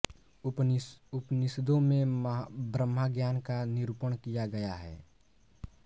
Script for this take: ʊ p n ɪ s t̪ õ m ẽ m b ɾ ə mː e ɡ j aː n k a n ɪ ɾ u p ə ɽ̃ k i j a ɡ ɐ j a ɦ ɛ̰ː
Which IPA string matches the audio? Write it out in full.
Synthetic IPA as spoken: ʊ p n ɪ s d̪ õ m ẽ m b ɾ ə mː a ɡ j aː n k a n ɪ ɾ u p ə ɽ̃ k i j a ɡ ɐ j a ɦ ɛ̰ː